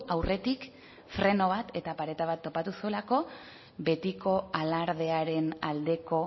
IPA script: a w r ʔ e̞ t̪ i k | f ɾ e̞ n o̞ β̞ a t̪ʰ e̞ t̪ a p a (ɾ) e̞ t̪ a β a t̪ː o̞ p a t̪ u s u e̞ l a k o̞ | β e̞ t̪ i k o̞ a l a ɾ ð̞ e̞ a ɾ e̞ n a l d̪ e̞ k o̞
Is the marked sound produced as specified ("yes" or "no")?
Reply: yes